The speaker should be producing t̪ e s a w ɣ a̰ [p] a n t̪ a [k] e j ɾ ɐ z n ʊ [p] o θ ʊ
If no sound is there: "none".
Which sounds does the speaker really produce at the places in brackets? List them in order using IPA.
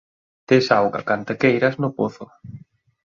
k, k, p

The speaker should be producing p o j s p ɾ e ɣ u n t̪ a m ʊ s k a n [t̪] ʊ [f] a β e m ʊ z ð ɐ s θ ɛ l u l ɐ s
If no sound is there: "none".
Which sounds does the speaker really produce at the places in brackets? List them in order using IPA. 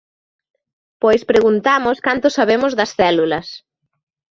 t̪, s

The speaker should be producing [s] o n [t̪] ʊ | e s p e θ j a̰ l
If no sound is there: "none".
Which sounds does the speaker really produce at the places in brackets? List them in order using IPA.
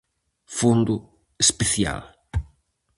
f, d̪

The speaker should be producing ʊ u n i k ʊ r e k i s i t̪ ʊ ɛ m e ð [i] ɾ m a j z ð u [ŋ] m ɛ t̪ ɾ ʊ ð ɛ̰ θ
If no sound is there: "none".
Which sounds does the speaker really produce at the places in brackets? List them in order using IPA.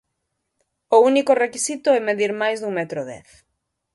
i, ŋ

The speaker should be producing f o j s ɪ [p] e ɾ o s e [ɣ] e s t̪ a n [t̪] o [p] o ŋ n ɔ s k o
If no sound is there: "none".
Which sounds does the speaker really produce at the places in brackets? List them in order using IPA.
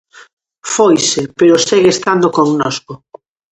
p, ɣ, d̪, k

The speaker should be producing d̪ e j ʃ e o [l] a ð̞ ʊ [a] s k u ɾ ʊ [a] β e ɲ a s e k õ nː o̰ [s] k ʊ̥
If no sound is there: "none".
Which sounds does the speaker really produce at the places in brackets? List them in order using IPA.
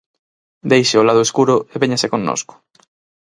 l, e, e, s

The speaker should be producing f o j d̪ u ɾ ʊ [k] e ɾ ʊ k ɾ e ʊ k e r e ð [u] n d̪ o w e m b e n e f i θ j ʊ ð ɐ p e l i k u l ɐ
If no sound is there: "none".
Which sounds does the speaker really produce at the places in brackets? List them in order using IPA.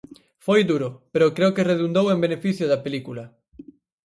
p, u

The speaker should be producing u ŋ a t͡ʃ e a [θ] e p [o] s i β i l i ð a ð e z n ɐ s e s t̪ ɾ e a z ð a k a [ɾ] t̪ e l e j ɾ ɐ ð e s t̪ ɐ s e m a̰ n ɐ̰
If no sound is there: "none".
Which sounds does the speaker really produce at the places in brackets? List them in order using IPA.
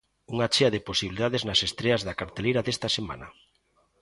ð, o, ɾ

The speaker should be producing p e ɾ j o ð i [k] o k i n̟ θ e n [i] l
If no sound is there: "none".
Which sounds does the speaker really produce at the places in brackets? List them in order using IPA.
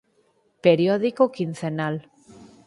k, a

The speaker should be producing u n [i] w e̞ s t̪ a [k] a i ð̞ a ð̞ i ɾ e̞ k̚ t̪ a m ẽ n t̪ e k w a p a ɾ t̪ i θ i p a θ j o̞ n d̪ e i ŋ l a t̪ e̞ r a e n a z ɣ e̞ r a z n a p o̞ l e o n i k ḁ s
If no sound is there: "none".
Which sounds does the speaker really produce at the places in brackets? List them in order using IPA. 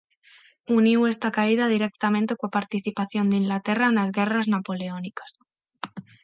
i, k

